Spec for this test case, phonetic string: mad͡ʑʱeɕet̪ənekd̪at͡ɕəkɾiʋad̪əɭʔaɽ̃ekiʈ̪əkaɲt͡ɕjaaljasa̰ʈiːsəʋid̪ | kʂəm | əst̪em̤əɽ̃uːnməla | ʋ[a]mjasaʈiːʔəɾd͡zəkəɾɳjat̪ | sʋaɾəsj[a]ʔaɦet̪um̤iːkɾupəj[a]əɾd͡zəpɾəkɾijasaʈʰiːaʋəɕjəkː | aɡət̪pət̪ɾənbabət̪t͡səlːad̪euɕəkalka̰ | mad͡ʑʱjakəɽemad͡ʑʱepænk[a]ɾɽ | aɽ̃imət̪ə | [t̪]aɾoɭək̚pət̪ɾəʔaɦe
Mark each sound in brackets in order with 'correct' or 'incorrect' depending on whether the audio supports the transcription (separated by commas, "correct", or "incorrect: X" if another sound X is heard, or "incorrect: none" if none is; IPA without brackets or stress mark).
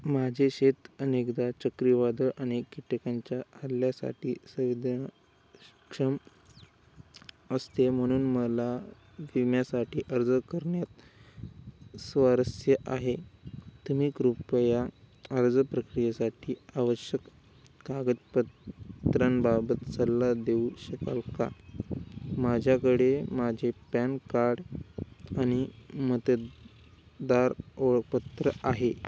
incorrect: i, incorrect: ə, correct, correct, incorrect: d̪